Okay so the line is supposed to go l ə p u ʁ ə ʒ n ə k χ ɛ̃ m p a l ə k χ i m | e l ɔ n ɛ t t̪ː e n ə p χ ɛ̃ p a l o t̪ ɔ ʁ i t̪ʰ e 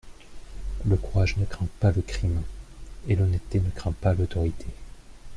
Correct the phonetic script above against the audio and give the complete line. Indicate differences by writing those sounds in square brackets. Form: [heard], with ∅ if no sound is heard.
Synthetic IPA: l ə [k] u ʁ [a] ʒ n ə k χ ɛ̃ [∅] p a l ə k χ i m | e l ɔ n ɛ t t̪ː e n ə [k] χ ɛ̃ p a l o t̪ ɔ ʁ i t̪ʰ e